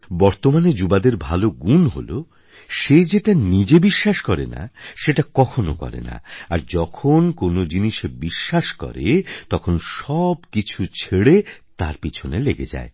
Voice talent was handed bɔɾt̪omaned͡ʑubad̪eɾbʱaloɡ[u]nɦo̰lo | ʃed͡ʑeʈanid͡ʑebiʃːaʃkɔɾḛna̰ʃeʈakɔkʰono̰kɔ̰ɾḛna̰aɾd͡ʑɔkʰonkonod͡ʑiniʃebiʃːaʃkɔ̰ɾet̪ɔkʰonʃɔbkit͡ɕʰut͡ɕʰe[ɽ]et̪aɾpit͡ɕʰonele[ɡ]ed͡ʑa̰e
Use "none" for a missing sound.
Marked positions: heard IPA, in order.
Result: u, ɽ, ɡ

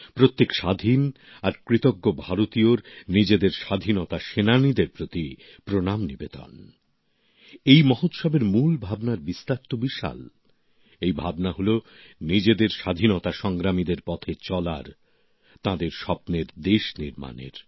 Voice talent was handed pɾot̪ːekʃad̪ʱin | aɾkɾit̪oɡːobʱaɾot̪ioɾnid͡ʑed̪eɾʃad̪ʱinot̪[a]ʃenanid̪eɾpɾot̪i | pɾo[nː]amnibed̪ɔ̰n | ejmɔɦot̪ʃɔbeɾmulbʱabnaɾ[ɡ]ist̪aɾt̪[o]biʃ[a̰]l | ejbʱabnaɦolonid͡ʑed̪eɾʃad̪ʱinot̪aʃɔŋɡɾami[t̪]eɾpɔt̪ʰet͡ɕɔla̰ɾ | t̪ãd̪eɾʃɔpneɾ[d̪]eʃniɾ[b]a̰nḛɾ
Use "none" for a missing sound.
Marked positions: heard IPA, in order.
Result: a, n, b, o, a̰, d̪, d̪, m

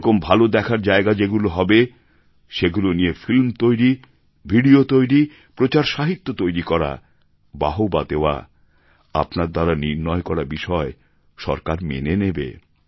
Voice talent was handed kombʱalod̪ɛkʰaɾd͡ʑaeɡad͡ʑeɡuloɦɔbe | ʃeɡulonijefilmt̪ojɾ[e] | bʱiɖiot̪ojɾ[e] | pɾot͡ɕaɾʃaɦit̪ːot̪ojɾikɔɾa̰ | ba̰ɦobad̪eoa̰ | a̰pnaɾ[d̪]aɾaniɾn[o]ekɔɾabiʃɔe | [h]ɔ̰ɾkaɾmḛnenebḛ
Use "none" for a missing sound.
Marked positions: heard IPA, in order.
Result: i, i, d̪, ɔ, ʃ

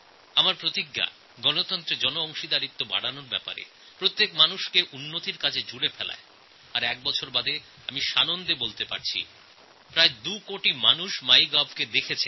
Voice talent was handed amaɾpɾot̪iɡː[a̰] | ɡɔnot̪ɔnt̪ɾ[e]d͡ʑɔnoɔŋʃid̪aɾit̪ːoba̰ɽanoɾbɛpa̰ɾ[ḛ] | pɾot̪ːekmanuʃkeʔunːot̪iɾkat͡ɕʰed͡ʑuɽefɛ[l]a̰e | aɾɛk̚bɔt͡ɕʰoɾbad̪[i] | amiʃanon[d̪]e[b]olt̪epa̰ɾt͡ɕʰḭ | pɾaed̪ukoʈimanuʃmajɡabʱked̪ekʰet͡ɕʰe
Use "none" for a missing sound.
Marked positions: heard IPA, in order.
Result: a̰, e, ḛ, l, e, d̪, b

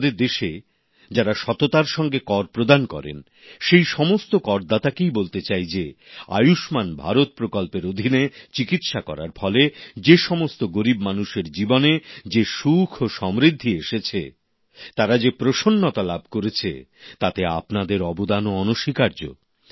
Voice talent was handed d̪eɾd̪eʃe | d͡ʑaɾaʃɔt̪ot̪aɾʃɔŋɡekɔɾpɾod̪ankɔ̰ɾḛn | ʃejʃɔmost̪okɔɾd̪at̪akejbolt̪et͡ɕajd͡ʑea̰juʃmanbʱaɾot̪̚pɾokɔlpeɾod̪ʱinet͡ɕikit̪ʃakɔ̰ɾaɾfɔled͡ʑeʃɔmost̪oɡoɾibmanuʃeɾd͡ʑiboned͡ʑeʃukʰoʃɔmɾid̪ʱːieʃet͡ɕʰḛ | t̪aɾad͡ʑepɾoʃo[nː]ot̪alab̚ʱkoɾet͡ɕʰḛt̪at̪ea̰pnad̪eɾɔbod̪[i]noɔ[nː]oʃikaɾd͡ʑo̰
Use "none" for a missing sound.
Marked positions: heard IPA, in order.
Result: nː, a, n

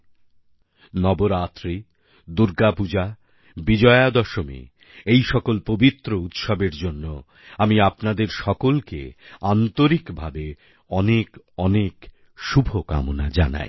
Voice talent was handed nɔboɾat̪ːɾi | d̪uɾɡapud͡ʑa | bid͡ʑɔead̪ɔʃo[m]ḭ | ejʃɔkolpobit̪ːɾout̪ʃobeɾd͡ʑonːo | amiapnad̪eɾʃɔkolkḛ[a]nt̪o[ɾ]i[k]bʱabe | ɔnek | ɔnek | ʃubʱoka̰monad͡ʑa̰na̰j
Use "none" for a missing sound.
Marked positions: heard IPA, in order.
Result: m, a, ɾ, k

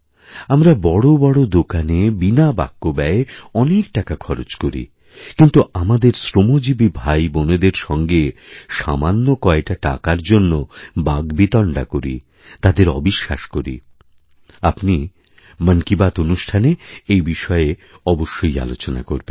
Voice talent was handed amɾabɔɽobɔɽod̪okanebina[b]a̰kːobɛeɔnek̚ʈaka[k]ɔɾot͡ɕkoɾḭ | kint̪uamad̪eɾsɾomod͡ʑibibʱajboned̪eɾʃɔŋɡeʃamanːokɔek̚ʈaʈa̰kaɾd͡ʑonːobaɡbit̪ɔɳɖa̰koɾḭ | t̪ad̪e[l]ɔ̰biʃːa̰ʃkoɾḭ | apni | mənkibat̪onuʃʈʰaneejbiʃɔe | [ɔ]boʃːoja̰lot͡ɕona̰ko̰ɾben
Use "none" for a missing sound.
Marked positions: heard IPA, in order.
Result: b, kʰ, ɾ, ɔ

